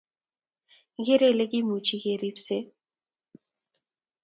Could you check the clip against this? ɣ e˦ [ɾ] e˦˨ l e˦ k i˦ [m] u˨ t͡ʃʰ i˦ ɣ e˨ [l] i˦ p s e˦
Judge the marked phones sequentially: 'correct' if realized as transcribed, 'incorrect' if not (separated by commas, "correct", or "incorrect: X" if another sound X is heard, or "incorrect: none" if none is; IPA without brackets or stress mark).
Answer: correct, correct, incorrect: ɾ